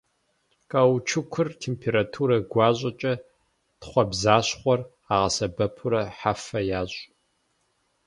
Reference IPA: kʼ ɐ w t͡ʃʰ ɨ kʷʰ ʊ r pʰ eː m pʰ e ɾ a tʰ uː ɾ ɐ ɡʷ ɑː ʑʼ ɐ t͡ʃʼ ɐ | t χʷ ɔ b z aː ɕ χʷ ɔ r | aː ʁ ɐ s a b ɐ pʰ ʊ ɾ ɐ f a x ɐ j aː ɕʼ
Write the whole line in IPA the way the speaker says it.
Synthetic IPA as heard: kʼ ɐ w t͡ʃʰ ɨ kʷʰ ʊ r tʰ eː m pʰ e ɾ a tʰ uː ɾ ɐ ɡʷ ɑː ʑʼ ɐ t͡ʃʼ ɐ | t χʷ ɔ b z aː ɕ χʷ ɔ r | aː ʁ ɐ s ɐ b ɐ pʰ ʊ ɾ ɐ ħ a f ɐ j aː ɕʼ